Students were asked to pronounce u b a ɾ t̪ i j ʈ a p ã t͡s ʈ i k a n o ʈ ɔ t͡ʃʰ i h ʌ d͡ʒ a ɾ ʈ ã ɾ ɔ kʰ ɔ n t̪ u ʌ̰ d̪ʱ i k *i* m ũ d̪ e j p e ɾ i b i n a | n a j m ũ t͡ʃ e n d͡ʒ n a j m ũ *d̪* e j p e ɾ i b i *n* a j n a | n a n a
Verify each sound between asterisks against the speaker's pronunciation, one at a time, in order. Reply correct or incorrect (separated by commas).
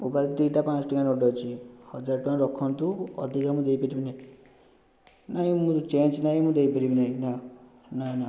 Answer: incorrect, correct, correct